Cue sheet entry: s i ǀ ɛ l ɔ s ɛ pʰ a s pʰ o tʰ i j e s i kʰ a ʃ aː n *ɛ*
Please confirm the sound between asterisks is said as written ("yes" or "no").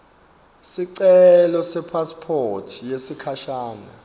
no